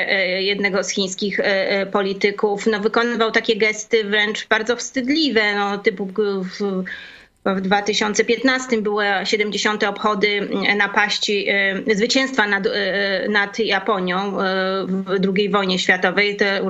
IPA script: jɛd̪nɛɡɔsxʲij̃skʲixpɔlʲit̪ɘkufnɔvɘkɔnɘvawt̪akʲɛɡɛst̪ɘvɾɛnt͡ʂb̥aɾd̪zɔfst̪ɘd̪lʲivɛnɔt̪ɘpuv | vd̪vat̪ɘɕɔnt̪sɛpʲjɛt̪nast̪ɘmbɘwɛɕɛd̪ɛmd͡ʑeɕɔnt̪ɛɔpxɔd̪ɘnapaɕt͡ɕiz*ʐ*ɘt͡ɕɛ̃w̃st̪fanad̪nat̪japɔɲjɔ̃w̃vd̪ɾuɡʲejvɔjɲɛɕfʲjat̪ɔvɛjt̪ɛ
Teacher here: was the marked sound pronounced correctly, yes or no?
no